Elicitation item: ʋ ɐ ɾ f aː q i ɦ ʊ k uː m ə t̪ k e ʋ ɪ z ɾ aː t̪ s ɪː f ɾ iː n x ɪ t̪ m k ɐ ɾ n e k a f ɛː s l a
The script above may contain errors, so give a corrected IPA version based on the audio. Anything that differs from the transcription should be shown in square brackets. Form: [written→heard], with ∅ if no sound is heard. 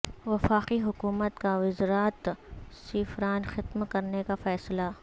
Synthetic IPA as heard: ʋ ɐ [ɾ→∅] f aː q i ɦ ʊ k uː m ə t̪ k [e→a] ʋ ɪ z ɾ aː t̪ s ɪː f ɾ [iː→aː] n x ɪ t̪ m k ɐ ɾ n e k a f ɛː s l a